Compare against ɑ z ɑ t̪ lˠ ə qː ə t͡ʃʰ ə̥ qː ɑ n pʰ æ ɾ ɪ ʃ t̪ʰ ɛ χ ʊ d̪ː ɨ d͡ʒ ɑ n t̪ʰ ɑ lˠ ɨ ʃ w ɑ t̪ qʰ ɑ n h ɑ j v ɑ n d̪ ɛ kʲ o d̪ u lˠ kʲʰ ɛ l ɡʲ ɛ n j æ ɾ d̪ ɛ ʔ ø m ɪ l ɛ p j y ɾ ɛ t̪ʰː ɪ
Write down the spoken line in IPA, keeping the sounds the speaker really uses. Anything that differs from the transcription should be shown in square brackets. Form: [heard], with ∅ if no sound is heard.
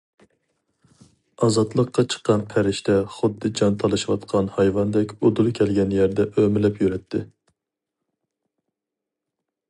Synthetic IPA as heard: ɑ z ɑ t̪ lˠ ə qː [ɑ] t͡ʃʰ ə̥ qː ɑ n pʰ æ ɾ ɪ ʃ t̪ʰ ɛ χ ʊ d̪ː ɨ d͡ʒ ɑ n t̪ʰ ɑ lˠ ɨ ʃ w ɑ t̪ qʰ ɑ n h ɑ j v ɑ n d̪ ɛ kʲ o d̪ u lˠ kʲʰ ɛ l ɡʲ ɛ n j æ ɾ d̪ ɛ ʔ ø m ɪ l ɛ p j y ɾ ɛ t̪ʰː ɪ